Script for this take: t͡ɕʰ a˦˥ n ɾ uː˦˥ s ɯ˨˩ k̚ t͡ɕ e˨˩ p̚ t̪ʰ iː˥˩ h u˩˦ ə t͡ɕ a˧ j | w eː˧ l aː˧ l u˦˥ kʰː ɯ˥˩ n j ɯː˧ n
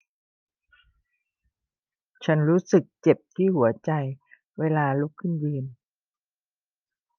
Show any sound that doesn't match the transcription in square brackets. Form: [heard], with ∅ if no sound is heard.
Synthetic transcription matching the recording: t͡ɕʰ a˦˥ n ɾ uː˦˥ s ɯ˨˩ k̚ t͡ɕ e˨˩ p̚ t̪ʰ iː˥˩ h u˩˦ [ɐ] t͡ɕ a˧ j | w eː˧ l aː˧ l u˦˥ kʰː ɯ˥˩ n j ɯː˧ n

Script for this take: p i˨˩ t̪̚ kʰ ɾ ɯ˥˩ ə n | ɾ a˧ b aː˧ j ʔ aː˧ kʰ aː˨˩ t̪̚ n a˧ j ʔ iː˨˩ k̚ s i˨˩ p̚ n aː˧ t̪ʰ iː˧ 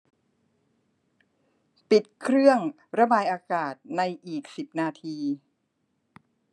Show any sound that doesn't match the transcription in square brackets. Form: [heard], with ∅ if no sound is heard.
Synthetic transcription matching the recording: p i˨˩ t̪̚ kʰ ɾ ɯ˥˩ ə [ŋ] | ɾ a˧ b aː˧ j ʔ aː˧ [k] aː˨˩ t̪̚ n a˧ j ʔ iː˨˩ k̚ s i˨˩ p̚ n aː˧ t̪ʰ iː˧

